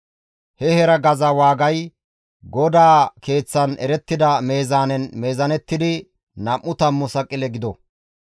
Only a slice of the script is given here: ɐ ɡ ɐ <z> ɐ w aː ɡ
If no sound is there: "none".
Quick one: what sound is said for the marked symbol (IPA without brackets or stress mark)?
z